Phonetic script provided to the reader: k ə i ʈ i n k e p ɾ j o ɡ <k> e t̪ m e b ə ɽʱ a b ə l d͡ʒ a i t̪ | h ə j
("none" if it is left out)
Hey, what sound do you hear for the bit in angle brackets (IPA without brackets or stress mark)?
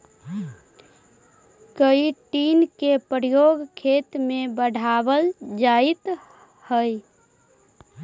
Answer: kʰ